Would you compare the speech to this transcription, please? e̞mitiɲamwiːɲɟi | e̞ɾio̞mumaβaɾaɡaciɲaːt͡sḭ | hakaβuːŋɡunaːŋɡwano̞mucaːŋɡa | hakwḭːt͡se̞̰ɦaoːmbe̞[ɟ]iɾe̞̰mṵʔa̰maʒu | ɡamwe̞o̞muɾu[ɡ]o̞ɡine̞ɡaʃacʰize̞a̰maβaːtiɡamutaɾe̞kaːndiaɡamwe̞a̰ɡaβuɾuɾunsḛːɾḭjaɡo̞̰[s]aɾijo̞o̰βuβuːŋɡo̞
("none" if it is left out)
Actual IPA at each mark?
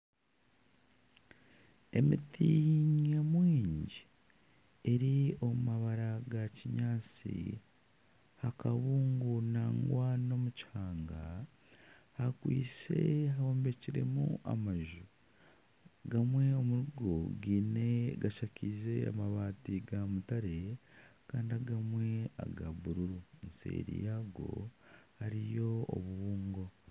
c, ɡ, h

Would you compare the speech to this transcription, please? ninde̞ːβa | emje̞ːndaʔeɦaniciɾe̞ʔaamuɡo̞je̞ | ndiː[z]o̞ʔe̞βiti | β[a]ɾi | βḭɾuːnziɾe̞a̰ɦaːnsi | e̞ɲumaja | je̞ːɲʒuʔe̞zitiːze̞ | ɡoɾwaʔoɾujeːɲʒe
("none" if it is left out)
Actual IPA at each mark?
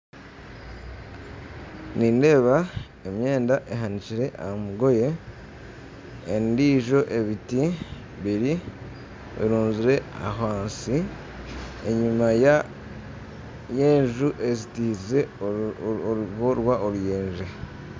ʒ, i

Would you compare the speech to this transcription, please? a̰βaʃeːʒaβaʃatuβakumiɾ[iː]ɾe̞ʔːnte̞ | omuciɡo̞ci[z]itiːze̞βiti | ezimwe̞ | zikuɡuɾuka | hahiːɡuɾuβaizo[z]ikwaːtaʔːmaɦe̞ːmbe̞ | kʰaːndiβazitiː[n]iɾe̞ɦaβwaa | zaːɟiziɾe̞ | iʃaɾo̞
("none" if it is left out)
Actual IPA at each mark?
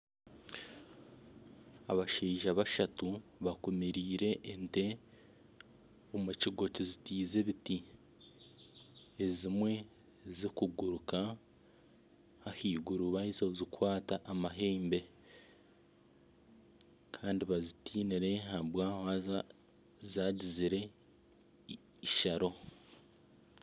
iː, z, z, n

